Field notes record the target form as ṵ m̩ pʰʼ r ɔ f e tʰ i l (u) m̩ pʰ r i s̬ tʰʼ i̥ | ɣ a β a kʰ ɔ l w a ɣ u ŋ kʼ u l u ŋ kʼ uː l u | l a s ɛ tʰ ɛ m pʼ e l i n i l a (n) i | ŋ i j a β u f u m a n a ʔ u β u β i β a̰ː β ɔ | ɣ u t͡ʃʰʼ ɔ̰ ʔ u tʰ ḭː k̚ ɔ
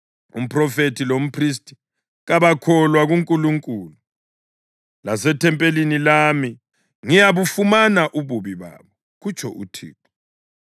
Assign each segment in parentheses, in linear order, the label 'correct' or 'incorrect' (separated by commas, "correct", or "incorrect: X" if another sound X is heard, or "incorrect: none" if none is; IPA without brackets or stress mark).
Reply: incorrect: o, incorrect: m